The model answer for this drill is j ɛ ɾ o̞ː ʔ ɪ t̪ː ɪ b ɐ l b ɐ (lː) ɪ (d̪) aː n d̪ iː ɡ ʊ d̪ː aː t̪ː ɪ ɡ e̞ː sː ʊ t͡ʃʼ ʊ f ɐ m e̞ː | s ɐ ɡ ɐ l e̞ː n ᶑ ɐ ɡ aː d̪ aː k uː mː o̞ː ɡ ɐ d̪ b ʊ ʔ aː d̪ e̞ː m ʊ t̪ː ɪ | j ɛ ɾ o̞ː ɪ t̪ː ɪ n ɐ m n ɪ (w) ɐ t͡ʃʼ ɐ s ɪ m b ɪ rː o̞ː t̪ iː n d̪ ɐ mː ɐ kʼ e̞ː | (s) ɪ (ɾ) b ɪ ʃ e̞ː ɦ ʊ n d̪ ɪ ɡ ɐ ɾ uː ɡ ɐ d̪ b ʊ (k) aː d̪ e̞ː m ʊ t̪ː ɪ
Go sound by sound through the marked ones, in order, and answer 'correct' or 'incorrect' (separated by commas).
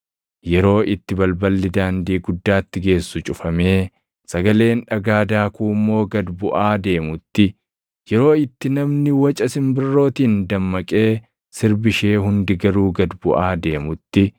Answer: correct, correct, correct, correct, correct, incorrect